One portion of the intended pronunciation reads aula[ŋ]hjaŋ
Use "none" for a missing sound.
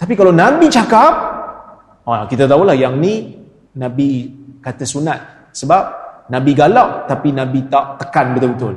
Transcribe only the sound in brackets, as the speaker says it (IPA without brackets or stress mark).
none